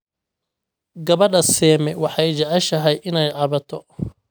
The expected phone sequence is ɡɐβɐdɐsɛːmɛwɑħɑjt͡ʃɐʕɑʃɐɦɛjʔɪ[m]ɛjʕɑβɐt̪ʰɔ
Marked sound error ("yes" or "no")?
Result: yes